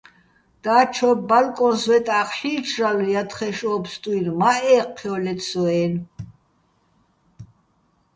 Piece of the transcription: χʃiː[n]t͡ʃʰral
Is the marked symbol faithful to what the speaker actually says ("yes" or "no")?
no